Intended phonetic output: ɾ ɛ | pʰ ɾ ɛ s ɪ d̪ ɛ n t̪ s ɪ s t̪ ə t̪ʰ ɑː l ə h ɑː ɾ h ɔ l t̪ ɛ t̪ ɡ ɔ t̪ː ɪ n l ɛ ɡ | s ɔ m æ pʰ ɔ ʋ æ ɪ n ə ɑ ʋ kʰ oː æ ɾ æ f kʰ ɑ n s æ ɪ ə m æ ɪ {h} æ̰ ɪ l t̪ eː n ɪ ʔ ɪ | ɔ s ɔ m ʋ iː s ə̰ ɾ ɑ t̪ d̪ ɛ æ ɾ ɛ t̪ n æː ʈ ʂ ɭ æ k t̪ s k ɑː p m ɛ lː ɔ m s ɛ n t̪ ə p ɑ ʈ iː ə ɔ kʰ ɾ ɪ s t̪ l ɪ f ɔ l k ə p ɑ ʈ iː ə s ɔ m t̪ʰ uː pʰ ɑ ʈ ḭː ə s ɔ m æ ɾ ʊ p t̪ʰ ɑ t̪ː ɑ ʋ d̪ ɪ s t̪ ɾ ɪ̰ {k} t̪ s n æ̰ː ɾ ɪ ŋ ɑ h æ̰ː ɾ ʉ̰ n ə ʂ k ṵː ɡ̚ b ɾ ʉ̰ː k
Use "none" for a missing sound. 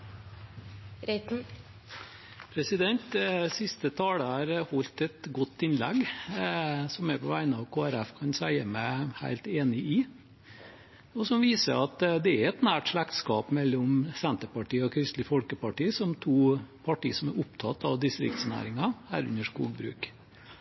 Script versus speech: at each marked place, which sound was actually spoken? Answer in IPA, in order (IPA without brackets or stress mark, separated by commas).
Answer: h, k